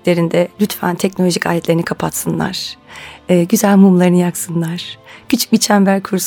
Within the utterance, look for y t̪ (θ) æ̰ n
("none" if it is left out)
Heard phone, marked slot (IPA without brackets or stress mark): f